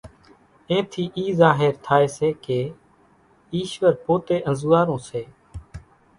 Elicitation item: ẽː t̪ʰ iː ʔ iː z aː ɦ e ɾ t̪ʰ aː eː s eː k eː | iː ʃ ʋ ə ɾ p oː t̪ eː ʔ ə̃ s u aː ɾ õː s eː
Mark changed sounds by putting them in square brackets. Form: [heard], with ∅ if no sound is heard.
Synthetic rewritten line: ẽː t̪ʰ iː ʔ iː z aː ɦ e ɾ t̪ʰ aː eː s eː k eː | iː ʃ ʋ ə ɾ p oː t̪ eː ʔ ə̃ [z] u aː ɾ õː s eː